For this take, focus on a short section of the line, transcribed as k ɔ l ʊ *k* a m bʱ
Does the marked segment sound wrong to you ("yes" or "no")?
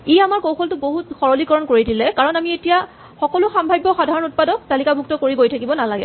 yes